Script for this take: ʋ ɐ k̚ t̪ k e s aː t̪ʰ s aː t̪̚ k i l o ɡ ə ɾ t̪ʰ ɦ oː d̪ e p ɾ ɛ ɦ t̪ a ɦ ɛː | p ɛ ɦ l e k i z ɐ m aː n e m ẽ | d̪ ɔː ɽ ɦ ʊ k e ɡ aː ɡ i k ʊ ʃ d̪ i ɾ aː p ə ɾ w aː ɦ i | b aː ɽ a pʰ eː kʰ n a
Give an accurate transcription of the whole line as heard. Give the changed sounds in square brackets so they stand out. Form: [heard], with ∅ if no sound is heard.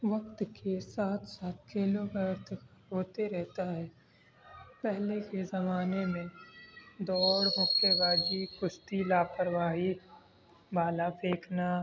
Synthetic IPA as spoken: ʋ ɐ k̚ t̪ k e s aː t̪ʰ s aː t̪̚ k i l o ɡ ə ɾ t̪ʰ ɦ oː [t̪] e [∅] ɾ ɛ ɦ t̪ a ɦ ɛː | p ɛ ɦ l e k [e] z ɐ m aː n e m ẽ | d̪ ɔː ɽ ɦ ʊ k e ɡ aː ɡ i k ʊ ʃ [t̪] i [l] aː p ə ɾ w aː ɦ i | b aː [l] a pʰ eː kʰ n a

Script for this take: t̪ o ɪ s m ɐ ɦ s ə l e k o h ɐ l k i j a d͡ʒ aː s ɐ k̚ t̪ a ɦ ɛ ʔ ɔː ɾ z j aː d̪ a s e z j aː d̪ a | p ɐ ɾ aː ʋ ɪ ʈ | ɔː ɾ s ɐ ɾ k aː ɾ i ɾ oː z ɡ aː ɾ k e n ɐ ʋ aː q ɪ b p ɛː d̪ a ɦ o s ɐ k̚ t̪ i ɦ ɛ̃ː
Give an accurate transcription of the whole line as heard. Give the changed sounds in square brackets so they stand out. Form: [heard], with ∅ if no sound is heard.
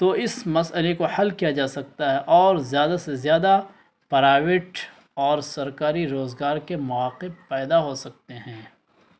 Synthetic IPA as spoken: t̪ o ɪ s m ɐ [∅] s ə l e k o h ɐ l k i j a d͡ʒ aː s ɐ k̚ t̪ a ɦ ɛ ʔ ɔː ɾ z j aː d̪ a s e z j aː d̪ a | p ɐ ɾ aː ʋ ɪ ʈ | ɔː ɾ s ɐ ɾ k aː ɾ i ɾ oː z ɡ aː ɾ k e [m] ɐ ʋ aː q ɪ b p ɛː d̪ a ɦ o s ɐ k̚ t̪ [e] ɦ ɛ̃ː

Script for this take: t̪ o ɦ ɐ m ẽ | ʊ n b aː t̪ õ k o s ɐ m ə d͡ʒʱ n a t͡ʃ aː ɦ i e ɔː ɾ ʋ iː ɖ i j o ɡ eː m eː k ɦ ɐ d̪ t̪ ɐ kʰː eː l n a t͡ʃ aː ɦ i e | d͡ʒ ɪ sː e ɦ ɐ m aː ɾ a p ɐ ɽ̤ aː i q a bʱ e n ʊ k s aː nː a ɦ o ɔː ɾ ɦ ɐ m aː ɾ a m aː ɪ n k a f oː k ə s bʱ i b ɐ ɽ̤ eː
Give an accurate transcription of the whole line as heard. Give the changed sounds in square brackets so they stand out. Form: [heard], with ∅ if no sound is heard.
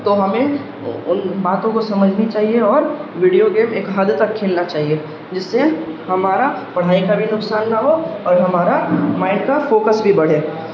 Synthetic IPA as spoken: t̪ o ɦ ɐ m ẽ | ʊ n b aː t̪ õ k o s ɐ m ə d͡ʒʱ n [i] t͡ʃ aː ɦ i e ɔː ɾ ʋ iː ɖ i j o ɡ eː m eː k ɦ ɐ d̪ t̪ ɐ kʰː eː l n a t͡ʃ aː ɦ i e | d͡ʒ ɪ sː e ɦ ɐ m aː ɾ a p ɐ ɽ̤ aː i [k] a bʱ [i] n ʊ k s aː nː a ɦ o ɔː ɾ ɦ ɐ m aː ɾ a m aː ɪ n k a f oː k ə s bʱ i b ɐ ɽ̤ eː

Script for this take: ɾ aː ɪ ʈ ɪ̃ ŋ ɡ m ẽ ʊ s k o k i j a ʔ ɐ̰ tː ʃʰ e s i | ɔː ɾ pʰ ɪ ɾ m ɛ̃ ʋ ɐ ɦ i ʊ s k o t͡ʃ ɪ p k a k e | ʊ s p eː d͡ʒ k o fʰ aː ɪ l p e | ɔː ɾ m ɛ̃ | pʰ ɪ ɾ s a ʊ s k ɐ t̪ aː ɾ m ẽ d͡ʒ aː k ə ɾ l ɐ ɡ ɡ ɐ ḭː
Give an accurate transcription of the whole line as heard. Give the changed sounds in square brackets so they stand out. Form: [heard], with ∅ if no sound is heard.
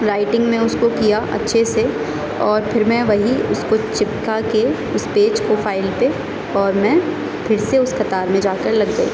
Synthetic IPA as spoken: ɾ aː ɪ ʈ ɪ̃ ŋ ɡ m ẽ ʊ s k o k i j a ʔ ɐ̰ tː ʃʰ e s [e] | ɔː ɾ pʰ ɪ ɾ m ɛ̃ ʋ ɐ ɦ i ʊ s k o t͡ʃ ɪ p k a k e | ʊ s p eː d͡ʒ k o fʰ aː ɪ l p e | ɔː ɾ m ɛ̃ | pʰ ɪ ɾ s [e] ʊ s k ɐ t̪ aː ɾ m ẽ d͡ʒ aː k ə ɾ l ɐ ɡ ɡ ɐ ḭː

